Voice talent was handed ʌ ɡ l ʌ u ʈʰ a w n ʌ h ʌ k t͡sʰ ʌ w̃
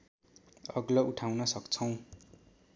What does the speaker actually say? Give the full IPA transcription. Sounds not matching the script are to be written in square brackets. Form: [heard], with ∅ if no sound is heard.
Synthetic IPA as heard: ʌ ɡ l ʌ u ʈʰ a w n ʌ [s] ʌ k t͡sʰ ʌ w̃